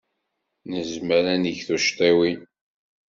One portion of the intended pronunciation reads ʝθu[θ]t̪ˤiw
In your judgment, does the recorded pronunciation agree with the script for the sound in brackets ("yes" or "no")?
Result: no